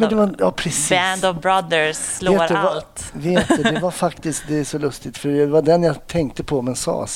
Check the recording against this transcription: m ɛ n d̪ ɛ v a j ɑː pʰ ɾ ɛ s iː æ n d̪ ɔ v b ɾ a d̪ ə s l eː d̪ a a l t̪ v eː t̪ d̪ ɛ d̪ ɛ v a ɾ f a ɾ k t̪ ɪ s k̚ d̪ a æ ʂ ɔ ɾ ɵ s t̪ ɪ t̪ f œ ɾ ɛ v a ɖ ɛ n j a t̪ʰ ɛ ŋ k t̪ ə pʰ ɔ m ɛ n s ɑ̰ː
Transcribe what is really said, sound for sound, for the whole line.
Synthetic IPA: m ɛ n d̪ ɛ v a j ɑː pʰ ɾ ɛ s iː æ n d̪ ɔ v b ɾ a d̪ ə s l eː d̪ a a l t̪ v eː t̪ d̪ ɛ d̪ ɛ v a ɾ f a k t̪ ɪ s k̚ d̪ ɛ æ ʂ ɔ l ɵ s t̪ ɪ t̪ f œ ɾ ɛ v a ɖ ɛ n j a t̪ʰ ɛ ŋ k t̪ ə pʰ ɔ m ɛ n s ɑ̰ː